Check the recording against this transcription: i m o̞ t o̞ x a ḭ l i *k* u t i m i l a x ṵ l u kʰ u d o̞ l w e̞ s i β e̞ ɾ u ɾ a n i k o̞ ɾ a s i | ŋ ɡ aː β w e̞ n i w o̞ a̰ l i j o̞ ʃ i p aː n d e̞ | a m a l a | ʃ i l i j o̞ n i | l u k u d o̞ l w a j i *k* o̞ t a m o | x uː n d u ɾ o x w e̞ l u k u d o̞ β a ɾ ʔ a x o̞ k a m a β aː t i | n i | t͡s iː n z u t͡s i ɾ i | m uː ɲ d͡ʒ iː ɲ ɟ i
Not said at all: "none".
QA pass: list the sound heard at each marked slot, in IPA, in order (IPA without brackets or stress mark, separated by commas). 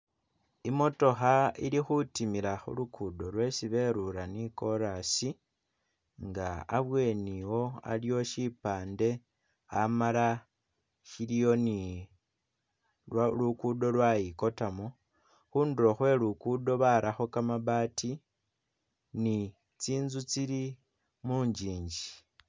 x, k